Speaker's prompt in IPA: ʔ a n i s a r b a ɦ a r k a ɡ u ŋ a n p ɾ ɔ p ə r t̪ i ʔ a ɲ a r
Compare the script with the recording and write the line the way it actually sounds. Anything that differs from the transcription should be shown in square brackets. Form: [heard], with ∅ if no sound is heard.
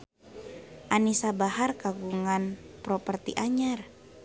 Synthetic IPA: ʔ a n i s a [∅] b a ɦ a r k a ɡ u ŋ a n p ɾ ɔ p ə r t̪ i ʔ a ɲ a r